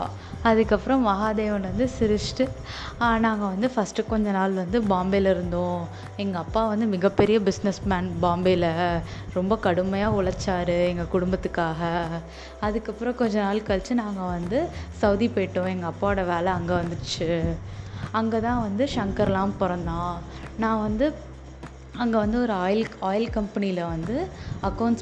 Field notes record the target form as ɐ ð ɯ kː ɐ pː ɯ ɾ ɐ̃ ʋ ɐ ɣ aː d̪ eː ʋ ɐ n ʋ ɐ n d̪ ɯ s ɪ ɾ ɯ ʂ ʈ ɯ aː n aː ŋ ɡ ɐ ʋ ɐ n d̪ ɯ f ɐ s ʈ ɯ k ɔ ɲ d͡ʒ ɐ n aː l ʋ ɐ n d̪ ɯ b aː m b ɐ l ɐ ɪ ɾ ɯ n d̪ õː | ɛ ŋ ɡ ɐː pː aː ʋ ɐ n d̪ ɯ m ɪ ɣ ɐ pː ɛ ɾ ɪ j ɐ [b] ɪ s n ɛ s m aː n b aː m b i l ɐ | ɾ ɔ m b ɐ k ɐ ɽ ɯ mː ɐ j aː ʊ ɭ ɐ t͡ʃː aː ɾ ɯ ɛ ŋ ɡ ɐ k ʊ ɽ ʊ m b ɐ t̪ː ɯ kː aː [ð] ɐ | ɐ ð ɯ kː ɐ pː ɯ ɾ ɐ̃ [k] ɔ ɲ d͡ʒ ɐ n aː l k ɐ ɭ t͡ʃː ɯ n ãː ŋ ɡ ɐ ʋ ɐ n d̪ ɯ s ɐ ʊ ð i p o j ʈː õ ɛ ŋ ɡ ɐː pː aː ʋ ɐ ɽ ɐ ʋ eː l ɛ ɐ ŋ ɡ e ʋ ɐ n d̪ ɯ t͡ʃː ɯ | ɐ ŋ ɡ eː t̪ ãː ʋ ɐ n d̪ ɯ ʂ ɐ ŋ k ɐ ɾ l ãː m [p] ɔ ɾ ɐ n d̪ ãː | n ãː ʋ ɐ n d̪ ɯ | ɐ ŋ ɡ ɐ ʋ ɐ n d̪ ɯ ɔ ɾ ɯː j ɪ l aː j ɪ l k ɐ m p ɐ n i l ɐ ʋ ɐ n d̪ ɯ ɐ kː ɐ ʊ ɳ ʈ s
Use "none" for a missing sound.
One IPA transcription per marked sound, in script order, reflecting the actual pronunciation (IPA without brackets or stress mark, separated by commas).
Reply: b, ɣ, k, p